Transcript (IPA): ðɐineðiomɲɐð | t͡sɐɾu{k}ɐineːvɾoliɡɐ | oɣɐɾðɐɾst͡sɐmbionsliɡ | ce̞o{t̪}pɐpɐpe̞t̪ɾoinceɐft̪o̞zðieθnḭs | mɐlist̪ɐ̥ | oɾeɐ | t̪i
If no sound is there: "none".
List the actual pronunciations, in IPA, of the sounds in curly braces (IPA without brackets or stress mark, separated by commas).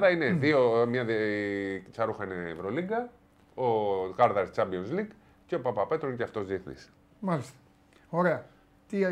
x, none